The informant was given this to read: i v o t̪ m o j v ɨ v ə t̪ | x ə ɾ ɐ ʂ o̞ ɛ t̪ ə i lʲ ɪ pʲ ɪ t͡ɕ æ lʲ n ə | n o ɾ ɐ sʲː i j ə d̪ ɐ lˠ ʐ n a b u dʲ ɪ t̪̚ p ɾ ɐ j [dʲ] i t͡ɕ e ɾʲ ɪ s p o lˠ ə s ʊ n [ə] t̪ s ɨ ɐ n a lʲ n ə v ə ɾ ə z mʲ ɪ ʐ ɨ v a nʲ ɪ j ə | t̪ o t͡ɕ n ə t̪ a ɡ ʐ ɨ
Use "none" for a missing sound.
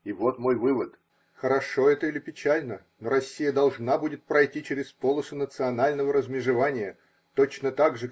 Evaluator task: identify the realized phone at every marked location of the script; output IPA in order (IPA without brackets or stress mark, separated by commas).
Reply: tʲ, ə